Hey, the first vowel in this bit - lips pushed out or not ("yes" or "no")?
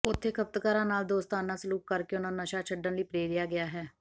yes